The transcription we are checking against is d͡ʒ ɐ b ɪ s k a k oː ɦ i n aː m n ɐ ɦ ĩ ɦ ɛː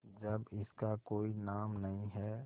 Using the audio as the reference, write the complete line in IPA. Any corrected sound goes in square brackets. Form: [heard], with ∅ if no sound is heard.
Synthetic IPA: d͡ʒ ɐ b ɪ s k a k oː [∅] i n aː m n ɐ ɦ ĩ ɦ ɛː